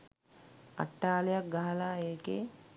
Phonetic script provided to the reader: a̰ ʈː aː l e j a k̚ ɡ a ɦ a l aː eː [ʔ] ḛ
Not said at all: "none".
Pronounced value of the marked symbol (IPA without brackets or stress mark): k